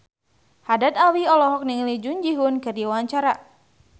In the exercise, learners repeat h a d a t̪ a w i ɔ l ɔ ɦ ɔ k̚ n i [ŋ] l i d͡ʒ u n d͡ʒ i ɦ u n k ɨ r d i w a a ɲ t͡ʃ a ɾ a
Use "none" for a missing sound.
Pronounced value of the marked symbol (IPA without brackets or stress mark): ŋ